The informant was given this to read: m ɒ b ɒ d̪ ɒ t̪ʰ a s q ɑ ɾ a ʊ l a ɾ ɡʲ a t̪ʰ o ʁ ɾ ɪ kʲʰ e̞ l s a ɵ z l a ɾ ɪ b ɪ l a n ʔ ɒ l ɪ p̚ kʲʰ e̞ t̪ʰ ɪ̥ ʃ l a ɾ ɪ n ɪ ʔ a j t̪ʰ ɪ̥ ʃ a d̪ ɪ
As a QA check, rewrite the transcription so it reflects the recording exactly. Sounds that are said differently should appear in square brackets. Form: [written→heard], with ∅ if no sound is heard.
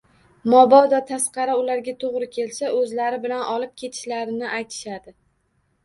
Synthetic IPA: m ɒ b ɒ d̪ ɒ t̪ʰ a s q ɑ ɾ a ʊ l a ɾ ɡʲ a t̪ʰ o ʁ ɾ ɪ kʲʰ e̞ l s a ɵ z l a ɾ ɪ b ɪ l a n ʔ ɒ l ɪ p̚ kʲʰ e̞ t̪ʰ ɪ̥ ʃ l a ɾ ɪ n ɪ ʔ a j t̪ʰ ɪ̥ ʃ a d̪ ɪ